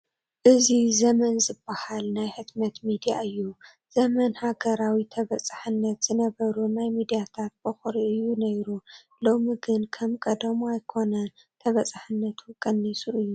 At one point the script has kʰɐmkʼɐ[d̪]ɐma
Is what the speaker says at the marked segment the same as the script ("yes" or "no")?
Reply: yes